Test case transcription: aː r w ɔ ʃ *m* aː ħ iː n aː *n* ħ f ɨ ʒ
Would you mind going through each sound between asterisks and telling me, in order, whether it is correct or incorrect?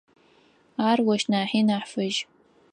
incorrect, incorrect

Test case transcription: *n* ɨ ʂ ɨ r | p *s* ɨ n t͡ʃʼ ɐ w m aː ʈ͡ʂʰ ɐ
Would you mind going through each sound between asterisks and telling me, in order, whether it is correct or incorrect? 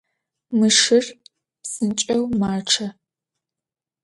incorrect, correct

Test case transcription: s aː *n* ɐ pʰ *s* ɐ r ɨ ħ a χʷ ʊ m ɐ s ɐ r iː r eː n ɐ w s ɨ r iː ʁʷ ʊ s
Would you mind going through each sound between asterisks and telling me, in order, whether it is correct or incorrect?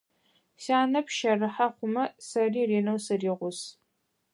correct, incorrect

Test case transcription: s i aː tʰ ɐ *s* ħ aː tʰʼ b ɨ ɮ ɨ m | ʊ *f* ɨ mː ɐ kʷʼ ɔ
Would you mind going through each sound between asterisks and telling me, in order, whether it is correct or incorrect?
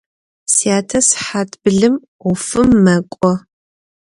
correct, correct

